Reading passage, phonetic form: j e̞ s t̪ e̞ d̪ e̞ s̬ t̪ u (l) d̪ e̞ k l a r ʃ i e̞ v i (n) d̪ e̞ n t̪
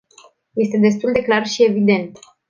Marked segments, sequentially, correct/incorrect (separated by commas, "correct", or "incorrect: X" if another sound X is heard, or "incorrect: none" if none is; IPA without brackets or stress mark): correct, incorrect: none